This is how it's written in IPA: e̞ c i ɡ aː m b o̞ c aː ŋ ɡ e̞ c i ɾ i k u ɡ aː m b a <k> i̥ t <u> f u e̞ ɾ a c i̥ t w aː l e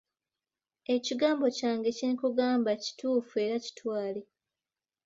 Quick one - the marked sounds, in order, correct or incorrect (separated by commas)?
incorrect, incorrect